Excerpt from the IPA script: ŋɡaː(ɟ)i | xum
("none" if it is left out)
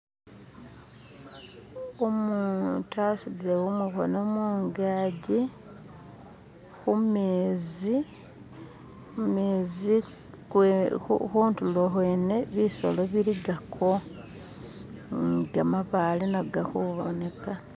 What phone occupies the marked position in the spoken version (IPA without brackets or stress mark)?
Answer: ɟ